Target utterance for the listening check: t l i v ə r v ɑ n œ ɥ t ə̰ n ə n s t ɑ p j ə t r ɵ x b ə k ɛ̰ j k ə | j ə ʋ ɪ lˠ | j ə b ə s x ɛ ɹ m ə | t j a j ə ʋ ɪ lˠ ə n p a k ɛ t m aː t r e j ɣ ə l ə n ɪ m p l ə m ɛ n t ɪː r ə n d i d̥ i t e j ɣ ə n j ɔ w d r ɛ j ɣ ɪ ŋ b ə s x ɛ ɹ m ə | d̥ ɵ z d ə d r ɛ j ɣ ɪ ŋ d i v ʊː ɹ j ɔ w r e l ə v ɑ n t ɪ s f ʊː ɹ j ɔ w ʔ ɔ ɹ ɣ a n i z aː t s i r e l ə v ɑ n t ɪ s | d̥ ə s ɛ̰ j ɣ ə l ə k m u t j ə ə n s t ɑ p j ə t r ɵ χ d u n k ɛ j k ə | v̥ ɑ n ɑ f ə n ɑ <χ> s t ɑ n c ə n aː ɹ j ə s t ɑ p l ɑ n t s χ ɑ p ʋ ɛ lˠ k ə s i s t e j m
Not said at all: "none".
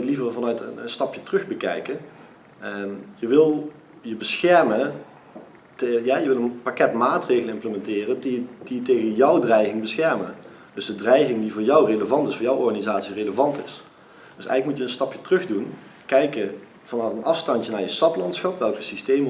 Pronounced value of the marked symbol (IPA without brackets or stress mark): f